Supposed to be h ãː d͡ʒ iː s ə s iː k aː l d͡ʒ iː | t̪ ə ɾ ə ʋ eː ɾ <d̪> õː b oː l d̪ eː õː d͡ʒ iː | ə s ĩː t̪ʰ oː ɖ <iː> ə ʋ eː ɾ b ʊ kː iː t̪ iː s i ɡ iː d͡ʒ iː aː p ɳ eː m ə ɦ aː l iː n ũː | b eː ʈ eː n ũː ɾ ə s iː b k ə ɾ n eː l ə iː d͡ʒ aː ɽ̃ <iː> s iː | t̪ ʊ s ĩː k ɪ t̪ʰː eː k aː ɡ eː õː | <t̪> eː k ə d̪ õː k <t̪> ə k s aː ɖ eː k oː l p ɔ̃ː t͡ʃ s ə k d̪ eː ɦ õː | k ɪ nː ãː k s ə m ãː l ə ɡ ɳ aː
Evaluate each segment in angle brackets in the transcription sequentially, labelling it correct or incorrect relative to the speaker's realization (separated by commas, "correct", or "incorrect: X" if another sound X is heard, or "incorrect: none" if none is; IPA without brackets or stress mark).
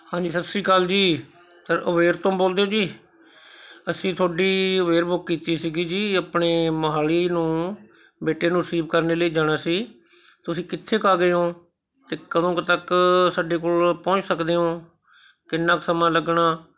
incorrect: t̪, correct, incorrect: aː, correct, correct